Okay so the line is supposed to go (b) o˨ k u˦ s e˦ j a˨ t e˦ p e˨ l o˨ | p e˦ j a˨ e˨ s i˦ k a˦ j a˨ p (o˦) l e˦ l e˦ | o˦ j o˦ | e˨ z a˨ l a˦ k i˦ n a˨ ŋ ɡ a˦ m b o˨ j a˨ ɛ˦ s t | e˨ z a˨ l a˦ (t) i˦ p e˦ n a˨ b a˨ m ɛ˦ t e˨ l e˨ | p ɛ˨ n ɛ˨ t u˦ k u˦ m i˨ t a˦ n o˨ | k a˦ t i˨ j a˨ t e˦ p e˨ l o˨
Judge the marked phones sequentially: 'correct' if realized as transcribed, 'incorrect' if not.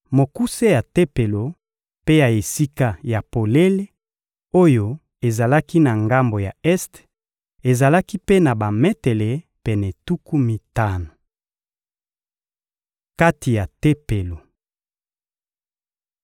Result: incorrect: m, incorrect: o˨, incorrect: k

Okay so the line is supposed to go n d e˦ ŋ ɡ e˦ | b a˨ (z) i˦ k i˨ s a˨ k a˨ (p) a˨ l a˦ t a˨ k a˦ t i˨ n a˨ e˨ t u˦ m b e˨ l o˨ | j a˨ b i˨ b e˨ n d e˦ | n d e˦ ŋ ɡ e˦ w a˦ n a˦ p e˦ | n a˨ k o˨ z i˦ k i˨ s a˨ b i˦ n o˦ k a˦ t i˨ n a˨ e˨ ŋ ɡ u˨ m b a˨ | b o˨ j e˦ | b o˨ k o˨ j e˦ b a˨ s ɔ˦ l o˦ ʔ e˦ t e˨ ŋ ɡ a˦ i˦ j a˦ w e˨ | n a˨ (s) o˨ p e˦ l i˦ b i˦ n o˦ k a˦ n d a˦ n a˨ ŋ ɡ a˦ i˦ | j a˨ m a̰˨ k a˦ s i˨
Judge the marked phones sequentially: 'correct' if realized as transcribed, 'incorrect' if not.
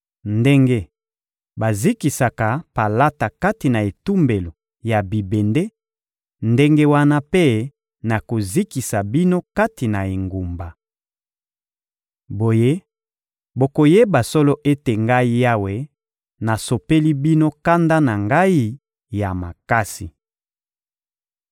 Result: correct, correct, correct

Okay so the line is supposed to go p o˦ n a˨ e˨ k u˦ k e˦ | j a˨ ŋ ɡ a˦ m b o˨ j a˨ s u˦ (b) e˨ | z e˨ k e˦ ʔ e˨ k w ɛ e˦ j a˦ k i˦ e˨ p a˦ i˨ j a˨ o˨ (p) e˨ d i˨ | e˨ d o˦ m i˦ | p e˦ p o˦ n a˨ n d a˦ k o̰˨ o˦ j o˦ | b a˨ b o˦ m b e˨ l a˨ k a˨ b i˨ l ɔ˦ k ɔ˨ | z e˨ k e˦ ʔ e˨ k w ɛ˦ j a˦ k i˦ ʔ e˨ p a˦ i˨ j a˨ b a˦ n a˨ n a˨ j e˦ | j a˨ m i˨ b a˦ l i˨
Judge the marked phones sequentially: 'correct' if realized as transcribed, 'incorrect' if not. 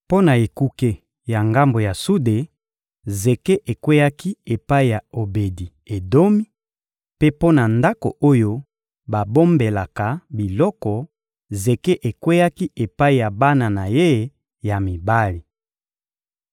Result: incorrect: d, incorrect: b

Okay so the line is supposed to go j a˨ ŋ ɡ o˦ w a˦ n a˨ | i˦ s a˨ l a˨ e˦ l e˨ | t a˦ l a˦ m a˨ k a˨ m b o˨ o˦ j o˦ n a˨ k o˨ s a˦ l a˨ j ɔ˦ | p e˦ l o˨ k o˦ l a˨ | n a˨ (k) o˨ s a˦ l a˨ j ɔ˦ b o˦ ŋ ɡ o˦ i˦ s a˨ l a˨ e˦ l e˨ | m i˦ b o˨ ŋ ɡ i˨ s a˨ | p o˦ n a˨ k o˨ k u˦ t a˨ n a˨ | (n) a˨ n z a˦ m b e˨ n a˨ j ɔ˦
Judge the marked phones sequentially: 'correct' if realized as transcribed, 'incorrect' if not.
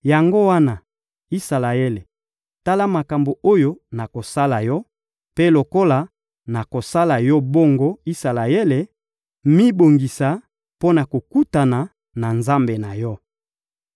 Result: correct, correct

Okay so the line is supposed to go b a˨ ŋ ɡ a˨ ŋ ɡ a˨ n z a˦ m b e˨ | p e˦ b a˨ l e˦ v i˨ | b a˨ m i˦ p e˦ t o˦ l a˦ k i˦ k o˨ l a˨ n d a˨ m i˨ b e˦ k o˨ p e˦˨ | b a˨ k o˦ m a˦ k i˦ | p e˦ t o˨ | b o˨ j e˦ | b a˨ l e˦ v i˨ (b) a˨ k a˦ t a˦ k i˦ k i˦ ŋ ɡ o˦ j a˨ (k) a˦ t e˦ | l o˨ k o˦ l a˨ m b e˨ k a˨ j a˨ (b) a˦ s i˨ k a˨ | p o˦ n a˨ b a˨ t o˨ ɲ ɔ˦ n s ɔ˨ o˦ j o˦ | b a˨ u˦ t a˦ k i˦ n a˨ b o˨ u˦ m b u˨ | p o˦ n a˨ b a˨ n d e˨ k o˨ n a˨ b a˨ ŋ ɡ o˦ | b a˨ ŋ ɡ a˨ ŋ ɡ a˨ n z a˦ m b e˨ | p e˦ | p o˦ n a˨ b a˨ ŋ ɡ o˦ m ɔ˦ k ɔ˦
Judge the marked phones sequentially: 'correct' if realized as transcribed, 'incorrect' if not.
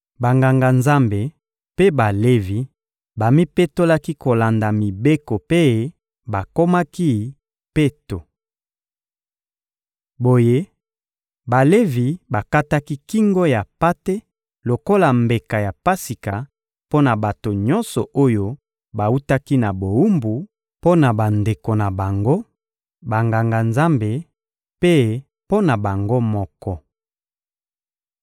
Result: correct, incorrect: p, incorrect: p

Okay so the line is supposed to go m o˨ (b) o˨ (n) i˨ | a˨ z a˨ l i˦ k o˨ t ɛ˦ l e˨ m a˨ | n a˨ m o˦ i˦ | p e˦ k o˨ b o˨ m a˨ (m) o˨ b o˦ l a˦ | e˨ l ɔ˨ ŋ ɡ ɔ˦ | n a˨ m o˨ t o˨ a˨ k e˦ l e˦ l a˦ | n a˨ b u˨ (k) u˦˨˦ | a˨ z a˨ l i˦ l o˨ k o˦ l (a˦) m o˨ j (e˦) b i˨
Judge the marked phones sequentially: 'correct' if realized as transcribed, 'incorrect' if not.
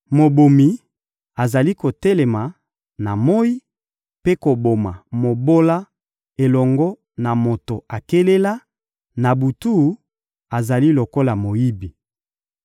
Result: correct, incorrect: m, correct, incorrect: t, incorrect: a˨, incorrect: i˦

